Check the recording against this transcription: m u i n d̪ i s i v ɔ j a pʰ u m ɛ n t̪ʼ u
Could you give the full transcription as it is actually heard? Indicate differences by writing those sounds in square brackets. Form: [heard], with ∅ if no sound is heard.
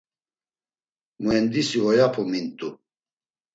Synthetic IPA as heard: m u [ɛ] n d̪ i s i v ɔ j a pʰ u m [i] n t̪ʼ u